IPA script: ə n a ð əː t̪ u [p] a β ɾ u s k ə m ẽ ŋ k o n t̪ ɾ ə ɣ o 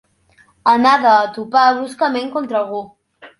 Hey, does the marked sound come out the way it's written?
yes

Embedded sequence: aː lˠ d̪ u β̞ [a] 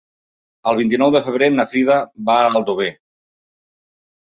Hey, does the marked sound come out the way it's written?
no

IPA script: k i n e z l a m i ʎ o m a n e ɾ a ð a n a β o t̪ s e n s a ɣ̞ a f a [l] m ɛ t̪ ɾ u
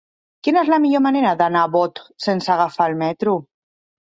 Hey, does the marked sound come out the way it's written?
yes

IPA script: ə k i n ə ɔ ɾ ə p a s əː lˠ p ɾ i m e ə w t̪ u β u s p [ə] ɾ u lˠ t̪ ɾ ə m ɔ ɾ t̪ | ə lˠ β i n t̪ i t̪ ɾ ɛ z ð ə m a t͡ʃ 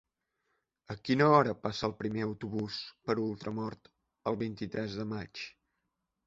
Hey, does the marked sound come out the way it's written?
yes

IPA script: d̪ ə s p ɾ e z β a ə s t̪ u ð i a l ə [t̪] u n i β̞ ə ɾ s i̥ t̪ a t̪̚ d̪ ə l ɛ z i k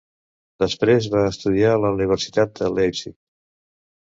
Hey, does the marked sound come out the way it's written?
no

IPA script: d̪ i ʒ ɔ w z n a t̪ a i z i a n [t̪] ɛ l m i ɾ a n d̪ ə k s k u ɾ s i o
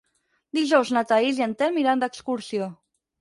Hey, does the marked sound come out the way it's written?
yes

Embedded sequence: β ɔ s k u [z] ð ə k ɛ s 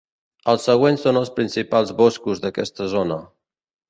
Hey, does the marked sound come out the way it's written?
yes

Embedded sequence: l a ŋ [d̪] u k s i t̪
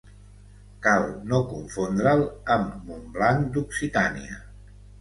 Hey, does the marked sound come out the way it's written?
yes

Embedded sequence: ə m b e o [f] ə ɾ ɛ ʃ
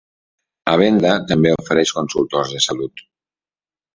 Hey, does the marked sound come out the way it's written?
yes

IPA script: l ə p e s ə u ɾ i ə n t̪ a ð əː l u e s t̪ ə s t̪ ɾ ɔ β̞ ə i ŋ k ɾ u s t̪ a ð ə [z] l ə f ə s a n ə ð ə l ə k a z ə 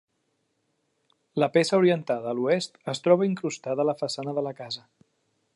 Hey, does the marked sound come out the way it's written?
no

